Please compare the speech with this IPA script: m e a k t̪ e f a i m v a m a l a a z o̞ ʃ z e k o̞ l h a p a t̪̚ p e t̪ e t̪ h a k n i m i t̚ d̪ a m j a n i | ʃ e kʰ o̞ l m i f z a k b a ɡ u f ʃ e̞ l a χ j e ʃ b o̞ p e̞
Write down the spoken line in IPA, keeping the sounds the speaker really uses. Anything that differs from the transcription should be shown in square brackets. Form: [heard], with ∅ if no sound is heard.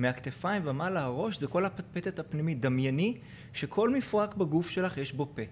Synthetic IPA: m e a k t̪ e f a i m v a m a l a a [ʁ] o̞ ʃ z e k o̞ l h a p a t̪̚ p e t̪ e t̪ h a [p] n i m i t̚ d̪ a m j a n i | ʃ e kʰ o̞ l m i f [ʁ] a k b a ɡ u f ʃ e̞ l a χ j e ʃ b o̞ p e̞